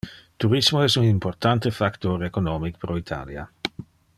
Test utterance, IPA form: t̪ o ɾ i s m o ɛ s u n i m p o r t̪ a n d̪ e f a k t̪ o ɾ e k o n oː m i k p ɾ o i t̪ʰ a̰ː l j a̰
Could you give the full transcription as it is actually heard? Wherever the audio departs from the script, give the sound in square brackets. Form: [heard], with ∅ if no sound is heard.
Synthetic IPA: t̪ [u] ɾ i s m o ɛ s u n i m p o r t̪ a n [t̪] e f a k t̪ o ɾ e k o n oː m i k p ɾ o i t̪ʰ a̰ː l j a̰